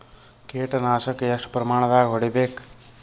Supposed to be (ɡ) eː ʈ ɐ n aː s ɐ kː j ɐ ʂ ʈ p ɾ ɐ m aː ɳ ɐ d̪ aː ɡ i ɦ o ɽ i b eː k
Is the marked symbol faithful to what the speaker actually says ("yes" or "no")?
no